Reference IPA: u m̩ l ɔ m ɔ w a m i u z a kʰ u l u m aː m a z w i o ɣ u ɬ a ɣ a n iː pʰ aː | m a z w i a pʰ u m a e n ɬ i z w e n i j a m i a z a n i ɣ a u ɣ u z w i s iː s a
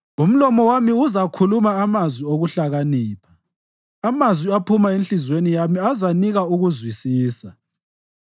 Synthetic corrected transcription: u m̩ l ɔ m ɔ w a m i u z a kʰ u l u m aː m a z w i o ɣ u ɬ a ɣ a n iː pʰ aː | m a z w i a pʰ u m a e n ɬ i z w e n i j a m i a z a n i ɣ a u ɣ u z w i s iː s a